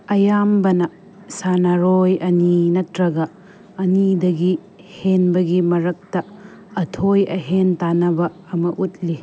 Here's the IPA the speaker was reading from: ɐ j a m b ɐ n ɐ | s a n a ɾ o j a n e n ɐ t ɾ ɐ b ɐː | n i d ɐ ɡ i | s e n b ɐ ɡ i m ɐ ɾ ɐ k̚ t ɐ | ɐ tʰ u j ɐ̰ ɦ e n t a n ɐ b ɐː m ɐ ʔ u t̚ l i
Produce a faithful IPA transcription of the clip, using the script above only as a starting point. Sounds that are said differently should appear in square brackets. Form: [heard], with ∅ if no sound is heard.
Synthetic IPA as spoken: ɐ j a m b ɐ n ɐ | s a n a ɾ o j [ɐ] n [i] n ɐ t ɾ ɐ [ɡ] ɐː | n i d ɐ ɡ i | [h] e n b ɐ ɡ i m ɐ ɾ ɐ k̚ t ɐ | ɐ tʰ [o] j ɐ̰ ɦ e n t a n ɐ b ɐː m ɐ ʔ u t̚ l i